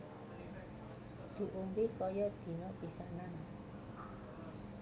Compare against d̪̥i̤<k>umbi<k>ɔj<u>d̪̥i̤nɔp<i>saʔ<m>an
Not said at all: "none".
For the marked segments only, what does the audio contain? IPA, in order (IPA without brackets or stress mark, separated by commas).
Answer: ʔ, k, ɔ, i, n